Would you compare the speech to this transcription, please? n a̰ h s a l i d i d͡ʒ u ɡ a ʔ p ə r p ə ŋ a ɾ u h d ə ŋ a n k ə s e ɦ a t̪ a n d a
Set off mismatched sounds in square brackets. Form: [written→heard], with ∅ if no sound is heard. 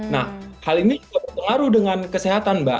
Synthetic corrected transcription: n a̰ h [s→h] a l i [d→n] i d͡ʒ u ɡ a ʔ [p→b] ə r p ə ŋ a ɾ u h d ə ŋ a n k ə s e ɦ a t̪ a n [d→b] a